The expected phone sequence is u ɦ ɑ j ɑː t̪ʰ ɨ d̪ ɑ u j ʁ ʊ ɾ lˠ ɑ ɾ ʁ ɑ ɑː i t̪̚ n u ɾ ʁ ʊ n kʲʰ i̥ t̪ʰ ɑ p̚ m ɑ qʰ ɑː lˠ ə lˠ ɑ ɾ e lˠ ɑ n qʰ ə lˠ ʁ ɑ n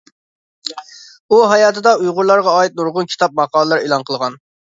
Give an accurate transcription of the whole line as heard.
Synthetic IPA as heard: u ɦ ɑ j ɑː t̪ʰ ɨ d̪ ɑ u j ʁ ʊ ɾ lˠ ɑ ɾ ʁ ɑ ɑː i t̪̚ n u ɾ ʁ ʊ n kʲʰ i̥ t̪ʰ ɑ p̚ m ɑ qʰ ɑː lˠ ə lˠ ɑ ɾ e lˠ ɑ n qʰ ə lˠ ʁ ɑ n

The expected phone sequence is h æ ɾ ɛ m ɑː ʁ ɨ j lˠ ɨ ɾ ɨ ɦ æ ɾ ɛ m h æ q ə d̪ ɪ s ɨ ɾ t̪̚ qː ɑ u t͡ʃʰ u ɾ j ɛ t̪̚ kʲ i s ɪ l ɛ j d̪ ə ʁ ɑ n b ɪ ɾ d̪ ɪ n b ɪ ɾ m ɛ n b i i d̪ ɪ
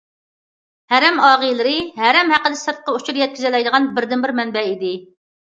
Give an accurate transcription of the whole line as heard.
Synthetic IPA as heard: h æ ɾ ɛ m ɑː ʁ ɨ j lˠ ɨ ɾ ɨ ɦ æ ɾ ɛ m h æ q ə d̪ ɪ s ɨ ɾ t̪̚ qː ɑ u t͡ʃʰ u ɾ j ɛ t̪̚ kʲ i z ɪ l ɛ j d̪ ə ʁ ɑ n b ɪ ɾ d̪ ɪ n b ɪ ɾ m ɛ n b ɛ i d̪ ɪ

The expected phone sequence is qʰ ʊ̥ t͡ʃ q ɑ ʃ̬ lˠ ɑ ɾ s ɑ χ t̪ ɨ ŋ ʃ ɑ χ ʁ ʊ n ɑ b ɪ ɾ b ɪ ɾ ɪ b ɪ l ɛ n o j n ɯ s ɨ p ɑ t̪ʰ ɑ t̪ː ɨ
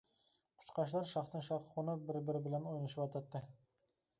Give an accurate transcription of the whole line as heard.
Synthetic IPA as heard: qʰ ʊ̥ t͡ʃ q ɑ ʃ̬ lˠ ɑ ɾ ʃ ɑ χ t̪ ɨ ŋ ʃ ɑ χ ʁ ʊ n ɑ b ɪ ɾ b ɪ ɾ ɪ b ɪ l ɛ n o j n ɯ ʃ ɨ p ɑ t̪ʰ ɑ t̪ː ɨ

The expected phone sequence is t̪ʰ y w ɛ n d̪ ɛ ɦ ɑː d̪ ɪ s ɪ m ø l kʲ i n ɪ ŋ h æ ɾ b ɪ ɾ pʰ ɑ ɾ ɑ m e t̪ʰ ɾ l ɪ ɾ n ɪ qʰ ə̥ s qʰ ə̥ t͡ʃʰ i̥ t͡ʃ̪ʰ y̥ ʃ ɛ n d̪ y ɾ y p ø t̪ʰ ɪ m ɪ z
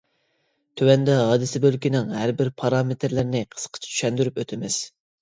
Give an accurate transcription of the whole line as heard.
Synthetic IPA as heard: t̪ʰ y w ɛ n d̪ ɛ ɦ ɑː d̪ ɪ s ɪ b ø l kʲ i n ɪ ŋ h æ ɾ b ɪ ɾ pʰ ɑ ɾ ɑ m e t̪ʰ ɾ l ɪ ɾ n ɪ qʰ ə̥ s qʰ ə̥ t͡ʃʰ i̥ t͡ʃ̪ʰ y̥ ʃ ɛ n d̪ y ɾ y p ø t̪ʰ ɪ m ɪ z

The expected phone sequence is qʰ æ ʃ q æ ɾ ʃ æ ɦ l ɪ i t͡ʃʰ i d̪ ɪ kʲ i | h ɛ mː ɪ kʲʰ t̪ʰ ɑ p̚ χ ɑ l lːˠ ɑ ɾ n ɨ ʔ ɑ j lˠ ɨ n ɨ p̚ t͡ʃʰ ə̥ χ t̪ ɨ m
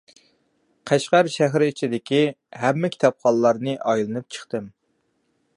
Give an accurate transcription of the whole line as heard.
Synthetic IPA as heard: qʰ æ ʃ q æ ɾ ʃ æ ɦ ɾ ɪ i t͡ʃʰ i d̪ ɪ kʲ i | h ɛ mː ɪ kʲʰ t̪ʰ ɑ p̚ χ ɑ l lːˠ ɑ ɾ n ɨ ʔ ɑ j lˠ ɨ n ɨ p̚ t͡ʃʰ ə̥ χ t̪ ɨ m

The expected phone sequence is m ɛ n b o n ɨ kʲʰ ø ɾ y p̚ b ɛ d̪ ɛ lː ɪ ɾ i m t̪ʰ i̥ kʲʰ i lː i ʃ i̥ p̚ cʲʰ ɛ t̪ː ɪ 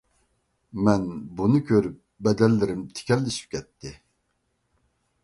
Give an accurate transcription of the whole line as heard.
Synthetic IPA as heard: m ɛ n b u n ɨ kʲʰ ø ɾ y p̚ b ɛ d̪ ɛ lː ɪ ɾ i m t̪ʰ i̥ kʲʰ ɛ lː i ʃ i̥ p̚ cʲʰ ɛ t̪ː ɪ

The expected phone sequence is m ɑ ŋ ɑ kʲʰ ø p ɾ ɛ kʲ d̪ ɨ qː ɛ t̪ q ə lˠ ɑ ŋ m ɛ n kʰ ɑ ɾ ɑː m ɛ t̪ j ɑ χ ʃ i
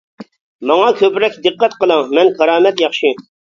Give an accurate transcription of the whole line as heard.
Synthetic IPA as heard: m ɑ ŋ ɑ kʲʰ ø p ɾ ɛ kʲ d̪ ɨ qː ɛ t̪ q ə lˠ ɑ ŋ m ɛ n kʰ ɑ ɾ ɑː m ɛ t̪ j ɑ χ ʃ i

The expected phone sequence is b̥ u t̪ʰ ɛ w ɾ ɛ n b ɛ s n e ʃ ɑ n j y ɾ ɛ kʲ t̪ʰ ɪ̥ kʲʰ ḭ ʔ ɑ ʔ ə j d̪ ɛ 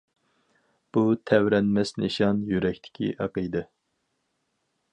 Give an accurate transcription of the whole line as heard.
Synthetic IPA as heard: b̥ u t̪ʰ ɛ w ɾ ɛ n m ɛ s n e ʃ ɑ n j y ɾ ɛ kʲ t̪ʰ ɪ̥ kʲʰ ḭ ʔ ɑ q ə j d̪ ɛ

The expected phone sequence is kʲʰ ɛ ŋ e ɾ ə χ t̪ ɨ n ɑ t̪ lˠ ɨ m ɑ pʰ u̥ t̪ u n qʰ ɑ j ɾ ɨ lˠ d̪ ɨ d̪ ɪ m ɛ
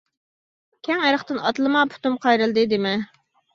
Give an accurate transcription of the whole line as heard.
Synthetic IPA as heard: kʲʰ ɛ ŋ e ɾ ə χ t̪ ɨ n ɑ t̪ lˠ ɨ m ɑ pʰ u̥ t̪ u m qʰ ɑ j ɾ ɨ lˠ d̪ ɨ d̪ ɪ m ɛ

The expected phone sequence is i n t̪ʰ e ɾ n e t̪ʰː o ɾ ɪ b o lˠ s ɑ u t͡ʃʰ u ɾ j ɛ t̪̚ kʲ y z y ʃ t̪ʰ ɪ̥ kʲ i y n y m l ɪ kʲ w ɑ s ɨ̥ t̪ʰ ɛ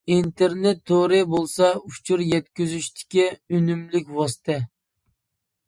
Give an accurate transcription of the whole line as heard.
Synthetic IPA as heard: i n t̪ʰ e ɾ n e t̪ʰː o ɾ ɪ b o lˠ s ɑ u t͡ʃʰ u ɾ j ɛ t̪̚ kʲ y z y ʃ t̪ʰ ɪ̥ kʲ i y n y m l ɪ kʲ w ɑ s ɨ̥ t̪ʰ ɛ

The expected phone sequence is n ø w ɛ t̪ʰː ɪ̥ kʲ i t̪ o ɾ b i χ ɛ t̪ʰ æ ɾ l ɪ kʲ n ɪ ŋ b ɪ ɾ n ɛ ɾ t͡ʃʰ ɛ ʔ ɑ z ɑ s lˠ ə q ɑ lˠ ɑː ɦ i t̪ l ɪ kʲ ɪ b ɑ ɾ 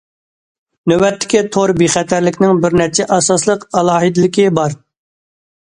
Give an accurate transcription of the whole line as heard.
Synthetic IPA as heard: n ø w ɛ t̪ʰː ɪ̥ kʲ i t̪ʰ o ɾ b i χ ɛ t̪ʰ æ ɾ l ɪ kʲ n ɪ ŋ b ɪ ɾ n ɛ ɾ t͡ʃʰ ɛ ʔ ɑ s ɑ s lˠ ə q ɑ lˠ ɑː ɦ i d̪ l ɪ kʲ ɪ b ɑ ɾ

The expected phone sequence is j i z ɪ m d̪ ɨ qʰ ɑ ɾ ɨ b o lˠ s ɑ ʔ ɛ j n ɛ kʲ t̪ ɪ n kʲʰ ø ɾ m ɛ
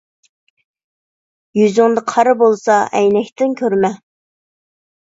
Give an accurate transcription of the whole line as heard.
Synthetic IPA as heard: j y z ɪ ŋ d̪ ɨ qʰ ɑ ɾ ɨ b o lˠ s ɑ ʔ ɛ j n ɛ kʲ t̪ ɪ n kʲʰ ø ɾ m ɛ

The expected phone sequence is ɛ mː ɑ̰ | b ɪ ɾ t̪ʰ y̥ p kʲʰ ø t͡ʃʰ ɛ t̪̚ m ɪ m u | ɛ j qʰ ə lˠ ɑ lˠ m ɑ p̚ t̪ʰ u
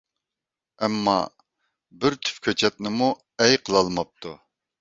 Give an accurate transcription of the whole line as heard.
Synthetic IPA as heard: ɛ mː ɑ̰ | b ɪ ɾ t̪ʰ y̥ p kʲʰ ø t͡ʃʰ ɛ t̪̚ n ɪ m u | ɛ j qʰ ə lˠ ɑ lˠ m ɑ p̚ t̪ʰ u

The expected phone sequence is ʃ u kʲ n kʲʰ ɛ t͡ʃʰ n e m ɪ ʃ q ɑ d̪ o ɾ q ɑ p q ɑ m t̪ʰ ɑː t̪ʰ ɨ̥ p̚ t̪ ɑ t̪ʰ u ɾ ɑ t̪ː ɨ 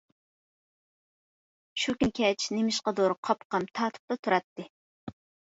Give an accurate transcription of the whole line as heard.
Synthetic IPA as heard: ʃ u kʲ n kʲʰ ɛ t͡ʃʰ n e m ɪ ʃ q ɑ d̪ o ɾ qʰ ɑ p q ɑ m t̪ʰ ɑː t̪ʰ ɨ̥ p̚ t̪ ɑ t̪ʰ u ɾ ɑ t̪ː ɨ

